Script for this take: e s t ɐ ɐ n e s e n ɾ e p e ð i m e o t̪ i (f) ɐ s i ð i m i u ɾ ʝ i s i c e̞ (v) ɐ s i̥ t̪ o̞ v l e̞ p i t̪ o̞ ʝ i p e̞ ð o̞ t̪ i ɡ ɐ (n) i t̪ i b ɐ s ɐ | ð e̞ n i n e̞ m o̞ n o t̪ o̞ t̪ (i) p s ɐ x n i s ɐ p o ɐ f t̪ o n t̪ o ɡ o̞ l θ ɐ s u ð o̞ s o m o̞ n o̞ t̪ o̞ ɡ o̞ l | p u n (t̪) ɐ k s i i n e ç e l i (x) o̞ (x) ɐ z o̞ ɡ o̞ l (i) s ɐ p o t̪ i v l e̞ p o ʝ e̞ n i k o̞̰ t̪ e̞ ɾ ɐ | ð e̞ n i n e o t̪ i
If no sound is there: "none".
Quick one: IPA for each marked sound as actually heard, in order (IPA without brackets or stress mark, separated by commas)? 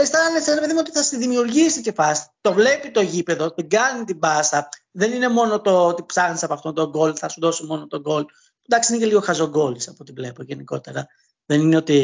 θ, f, n, i, d̪, ɣ, x, i